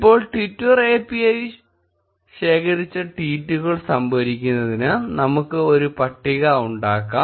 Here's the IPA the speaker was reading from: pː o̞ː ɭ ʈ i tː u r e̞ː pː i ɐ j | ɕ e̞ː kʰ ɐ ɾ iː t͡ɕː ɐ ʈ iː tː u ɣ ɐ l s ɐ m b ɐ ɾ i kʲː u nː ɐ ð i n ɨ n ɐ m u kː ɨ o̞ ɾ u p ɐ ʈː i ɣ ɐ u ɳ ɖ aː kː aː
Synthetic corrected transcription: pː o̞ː ɭ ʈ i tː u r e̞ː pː i ɐ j | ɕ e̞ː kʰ ɐ ɾ i t͡ɕː ɐ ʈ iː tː u ɣ ɐ ɭ s ɐ m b ɐ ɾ i kʲː u nː ɐ ð i n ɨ n ɐ m u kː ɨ o̞ ɾ u p ɐ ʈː i ɣ ɐ u ɳ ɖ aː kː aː